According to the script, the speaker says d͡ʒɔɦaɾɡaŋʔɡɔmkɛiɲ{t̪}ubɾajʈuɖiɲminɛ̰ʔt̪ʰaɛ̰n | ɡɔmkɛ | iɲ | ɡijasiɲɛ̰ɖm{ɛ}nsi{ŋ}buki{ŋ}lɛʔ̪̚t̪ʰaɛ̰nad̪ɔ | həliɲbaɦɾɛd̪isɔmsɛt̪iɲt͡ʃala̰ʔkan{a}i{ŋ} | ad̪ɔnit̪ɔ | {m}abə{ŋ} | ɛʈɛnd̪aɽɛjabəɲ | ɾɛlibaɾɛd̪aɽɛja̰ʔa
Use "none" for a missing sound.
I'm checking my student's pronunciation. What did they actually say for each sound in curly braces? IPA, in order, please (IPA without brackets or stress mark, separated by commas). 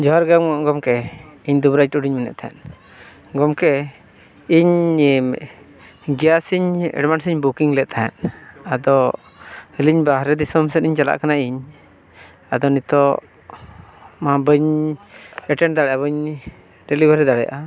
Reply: d̪, a, ɲ, ŋ, a, ɲ, m, ɲ